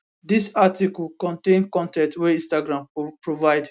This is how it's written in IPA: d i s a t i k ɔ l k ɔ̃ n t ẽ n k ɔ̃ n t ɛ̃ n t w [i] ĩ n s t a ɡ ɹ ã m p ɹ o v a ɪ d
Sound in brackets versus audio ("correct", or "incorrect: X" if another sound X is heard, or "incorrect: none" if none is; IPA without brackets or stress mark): incorrect: ɛ